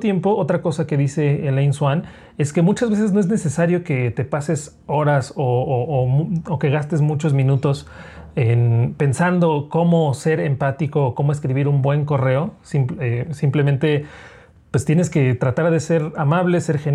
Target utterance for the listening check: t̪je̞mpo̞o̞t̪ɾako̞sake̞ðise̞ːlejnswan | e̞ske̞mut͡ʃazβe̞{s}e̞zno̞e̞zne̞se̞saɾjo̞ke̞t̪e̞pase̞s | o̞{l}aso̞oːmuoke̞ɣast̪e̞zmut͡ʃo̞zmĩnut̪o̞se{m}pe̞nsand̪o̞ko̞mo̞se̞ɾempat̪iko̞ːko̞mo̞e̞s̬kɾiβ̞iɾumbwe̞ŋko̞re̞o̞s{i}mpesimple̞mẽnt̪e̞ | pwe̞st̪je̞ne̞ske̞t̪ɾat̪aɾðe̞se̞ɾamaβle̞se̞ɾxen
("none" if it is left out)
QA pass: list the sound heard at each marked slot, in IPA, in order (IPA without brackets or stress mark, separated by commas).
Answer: s, ɾ, n, i